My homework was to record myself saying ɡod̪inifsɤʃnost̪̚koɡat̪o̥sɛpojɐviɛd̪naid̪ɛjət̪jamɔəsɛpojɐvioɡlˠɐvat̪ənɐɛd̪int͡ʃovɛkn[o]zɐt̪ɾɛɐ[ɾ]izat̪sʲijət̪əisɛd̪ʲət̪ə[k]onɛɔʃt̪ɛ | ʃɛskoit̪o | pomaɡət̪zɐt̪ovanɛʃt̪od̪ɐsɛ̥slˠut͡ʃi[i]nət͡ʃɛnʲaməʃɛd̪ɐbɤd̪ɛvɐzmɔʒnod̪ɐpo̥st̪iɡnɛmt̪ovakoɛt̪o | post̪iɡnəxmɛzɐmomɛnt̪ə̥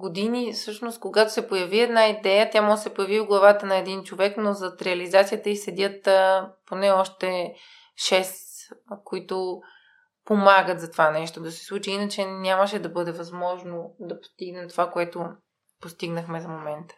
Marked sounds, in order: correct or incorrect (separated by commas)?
correct, incorrect, incorrect, correct